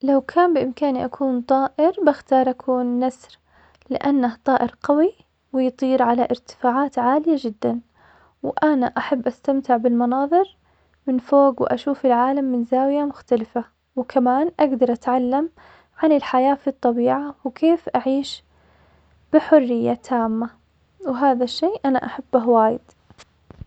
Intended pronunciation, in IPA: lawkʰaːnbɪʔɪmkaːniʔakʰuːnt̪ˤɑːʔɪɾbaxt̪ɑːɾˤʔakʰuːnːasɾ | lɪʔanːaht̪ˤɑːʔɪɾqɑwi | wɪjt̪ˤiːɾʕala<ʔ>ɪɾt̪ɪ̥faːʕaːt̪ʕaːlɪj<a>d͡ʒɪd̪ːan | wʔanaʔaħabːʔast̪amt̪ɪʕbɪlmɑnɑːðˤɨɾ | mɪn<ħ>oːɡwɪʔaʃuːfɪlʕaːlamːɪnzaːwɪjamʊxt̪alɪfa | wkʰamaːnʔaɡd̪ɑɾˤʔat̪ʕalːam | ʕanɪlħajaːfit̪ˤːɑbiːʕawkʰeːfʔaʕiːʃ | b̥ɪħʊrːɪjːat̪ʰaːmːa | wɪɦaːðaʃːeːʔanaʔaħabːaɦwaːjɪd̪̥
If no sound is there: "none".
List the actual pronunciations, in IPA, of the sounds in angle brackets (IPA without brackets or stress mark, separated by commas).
ʔ, a, f